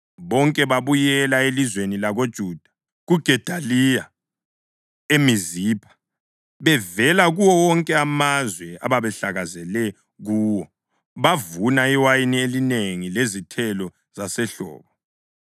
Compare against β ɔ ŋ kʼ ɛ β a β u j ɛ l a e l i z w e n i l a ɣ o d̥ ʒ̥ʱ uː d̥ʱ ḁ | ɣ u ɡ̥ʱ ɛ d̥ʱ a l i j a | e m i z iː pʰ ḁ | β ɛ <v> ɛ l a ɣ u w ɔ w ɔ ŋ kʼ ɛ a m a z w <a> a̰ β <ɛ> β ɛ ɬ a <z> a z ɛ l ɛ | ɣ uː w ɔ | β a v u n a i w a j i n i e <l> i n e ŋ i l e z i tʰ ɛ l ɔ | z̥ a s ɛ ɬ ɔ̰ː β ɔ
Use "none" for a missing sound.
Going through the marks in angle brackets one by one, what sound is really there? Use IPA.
v, ɛ, a, ɣ, l

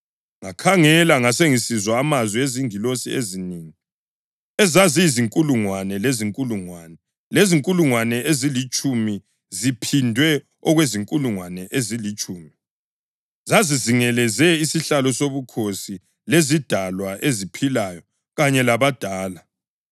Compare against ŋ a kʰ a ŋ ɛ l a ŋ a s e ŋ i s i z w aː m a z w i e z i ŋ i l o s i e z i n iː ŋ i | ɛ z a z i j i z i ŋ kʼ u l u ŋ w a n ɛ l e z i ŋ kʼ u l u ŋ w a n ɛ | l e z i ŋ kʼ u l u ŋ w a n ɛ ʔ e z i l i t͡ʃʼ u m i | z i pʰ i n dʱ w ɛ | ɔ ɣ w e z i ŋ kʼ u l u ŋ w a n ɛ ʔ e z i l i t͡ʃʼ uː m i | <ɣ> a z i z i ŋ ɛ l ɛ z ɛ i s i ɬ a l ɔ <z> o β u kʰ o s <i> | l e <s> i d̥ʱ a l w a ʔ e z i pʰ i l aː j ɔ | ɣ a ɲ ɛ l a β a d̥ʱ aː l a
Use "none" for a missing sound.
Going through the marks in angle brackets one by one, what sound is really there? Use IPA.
z, s, i, z

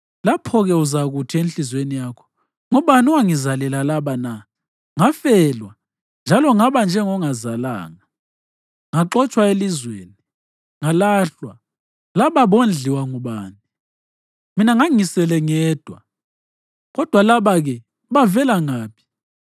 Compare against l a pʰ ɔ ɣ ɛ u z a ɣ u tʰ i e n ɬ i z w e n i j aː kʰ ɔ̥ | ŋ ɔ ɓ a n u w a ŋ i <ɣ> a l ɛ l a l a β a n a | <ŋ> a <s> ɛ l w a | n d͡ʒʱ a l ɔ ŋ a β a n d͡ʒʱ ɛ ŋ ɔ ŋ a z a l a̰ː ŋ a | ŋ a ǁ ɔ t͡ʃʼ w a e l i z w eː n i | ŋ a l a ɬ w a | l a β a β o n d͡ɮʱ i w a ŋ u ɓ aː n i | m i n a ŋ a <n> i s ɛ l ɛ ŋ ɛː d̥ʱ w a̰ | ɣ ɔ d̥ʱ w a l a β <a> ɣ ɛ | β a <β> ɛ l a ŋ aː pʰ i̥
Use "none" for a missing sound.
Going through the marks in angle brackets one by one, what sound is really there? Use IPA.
z, ŋ, f, ŋ, a, v

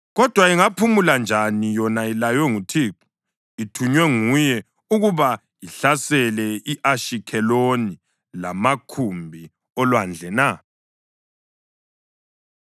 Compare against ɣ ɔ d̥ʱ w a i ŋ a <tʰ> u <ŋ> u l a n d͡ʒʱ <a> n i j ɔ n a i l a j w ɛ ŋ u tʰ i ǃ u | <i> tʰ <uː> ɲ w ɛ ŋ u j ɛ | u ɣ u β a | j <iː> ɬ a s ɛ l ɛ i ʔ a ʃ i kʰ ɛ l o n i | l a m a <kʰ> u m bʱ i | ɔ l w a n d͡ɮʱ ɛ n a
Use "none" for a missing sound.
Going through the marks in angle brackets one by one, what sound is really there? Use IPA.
pʰ, m, a, i, u, i, kʰ

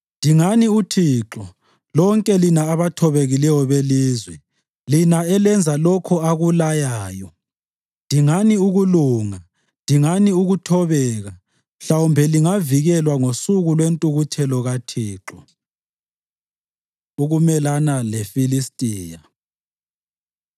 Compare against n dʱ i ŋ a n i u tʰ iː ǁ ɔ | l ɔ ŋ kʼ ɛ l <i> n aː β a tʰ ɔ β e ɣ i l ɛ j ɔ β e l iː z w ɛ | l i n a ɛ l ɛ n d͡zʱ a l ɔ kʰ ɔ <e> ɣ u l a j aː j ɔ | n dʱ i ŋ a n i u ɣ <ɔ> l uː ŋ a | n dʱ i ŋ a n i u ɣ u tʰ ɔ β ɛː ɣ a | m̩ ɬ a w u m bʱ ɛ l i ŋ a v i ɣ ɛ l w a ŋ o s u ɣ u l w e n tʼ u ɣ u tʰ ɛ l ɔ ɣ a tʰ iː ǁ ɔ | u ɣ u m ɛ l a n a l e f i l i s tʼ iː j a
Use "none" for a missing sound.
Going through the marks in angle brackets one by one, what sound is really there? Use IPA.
i, a, u

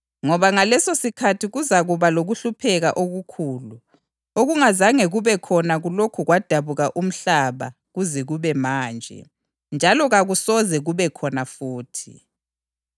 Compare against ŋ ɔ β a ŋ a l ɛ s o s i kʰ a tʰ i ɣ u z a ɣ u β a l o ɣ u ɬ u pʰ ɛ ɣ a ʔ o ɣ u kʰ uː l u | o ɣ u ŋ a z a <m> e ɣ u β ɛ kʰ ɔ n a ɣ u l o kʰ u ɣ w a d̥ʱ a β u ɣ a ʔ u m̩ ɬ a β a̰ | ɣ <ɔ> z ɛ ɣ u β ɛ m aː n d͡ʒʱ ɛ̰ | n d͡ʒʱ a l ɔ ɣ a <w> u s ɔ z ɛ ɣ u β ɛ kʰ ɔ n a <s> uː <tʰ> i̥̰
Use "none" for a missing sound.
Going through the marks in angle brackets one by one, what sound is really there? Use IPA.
ŋ, u, ɣ, f, tʰ

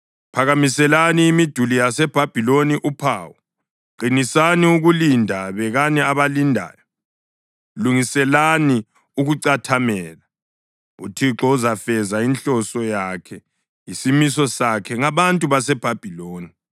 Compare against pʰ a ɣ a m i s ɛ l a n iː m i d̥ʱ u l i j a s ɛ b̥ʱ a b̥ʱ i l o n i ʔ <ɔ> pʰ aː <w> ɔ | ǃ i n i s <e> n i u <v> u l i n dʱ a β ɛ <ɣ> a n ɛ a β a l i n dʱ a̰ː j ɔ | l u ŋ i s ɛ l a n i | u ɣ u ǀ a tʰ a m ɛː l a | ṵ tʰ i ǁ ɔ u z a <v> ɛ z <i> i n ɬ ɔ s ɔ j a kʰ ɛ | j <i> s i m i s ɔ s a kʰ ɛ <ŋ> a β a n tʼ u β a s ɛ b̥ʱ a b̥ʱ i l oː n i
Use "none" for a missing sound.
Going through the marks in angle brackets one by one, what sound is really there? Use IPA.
u, w, a, ɣ, ɣ, f, a, i, ŋ

